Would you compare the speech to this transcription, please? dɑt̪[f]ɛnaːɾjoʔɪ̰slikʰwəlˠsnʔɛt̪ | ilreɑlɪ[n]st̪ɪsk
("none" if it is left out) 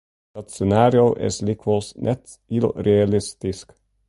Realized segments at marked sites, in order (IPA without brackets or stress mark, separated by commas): s, none